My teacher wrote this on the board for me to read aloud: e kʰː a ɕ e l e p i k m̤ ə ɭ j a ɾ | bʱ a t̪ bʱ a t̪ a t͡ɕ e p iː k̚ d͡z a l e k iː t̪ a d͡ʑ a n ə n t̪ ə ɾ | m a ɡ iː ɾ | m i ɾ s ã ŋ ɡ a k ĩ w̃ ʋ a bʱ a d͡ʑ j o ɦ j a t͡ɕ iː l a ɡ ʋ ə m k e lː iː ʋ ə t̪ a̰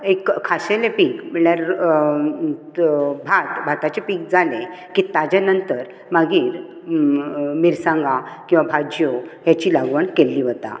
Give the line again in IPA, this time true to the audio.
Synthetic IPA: e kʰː a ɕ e l e p i k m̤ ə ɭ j a ɾ | bʱ a t̪ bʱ a t̪ a t͡ɕ e p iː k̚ d͡z a l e k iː t̪ a d͡ʑ a n ə n t̪ ə ɾ | m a ɡ iː ɾ | m i ɾ s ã ŋ ɡ a k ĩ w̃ ʋ a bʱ a d͡ʑ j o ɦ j a t͡ɕ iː l a ɡ ʋ ə ɳ k e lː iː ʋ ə t̪ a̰